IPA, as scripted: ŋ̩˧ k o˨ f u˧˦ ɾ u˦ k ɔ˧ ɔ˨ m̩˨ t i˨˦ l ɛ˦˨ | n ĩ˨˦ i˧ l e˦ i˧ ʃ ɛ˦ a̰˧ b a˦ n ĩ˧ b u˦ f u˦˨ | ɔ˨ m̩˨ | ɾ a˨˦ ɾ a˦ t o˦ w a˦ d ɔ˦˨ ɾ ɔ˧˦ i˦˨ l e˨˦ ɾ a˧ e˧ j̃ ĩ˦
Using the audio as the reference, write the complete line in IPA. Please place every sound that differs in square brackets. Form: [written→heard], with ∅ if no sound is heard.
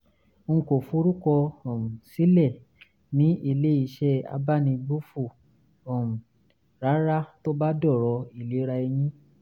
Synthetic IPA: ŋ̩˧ k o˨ f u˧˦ ɾ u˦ k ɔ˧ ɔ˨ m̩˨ [t→s] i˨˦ l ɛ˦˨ | n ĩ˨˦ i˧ l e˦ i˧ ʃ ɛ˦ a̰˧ b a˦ n ĩ˧ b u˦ f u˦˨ | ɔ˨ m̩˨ | ɾ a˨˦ ɾ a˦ t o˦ [w→b] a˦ d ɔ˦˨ ɾ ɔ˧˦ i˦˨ l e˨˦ ɾ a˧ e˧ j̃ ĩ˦